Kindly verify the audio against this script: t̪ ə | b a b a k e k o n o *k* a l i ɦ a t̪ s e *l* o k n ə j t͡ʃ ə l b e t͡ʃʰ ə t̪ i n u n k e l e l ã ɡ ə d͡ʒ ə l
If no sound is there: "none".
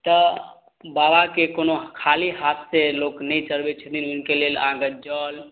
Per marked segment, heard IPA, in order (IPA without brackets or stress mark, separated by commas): kʰ, l